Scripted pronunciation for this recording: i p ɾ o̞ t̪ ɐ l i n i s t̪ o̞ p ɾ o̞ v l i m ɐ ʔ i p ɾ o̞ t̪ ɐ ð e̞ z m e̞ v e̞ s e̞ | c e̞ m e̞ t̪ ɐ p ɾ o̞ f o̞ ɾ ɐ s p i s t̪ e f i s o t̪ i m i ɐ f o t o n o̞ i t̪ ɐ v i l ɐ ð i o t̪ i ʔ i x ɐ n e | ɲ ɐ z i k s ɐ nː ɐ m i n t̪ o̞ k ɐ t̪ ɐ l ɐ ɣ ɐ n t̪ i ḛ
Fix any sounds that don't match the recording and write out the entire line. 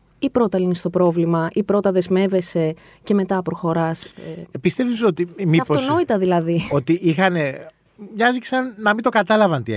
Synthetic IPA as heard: i p ɾ o̞ t̪ ɐ l i n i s t̪ o̞ p ɾ o̞ v l i m ɐ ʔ i p ɾ o̞ t̪ ɐ ð e̞ z m e̞ v e̞ s e̞ | c e̞ m e̞ t̪ ɐ p ɾ o̞ x o̞ ɾ ɐ s p i s t̪ e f i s o t̪ i m i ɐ f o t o n o̞ i t̪ ɐ ð i l ɐ ð i o t̪ i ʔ i x ɐ n e | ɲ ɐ z i k s ɐ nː ɐ m i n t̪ o̞ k ɐ t̪ ɐ l ɐ v ɐ n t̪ i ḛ